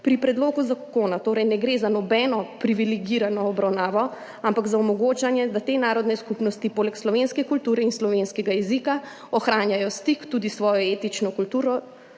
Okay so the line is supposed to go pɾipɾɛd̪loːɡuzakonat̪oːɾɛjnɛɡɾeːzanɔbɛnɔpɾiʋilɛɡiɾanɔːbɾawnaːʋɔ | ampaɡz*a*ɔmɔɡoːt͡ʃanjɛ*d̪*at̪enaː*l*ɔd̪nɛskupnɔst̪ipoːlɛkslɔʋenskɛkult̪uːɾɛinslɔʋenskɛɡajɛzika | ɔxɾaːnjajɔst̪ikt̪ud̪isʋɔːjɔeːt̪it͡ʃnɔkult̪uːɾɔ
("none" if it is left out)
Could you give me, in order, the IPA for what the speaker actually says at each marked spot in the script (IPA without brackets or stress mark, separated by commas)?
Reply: a, d̪, ɾ